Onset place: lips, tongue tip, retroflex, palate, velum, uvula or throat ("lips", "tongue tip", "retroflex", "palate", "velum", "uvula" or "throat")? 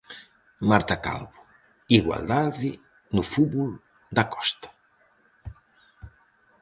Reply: lips